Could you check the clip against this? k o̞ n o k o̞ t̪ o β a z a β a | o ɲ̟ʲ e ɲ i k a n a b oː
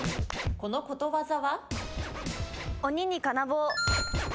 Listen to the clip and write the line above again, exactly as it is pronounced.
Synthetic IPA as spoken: k o̞ n o k o̞ t̪ o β a z a β a | o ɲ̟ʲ i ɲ i k a n a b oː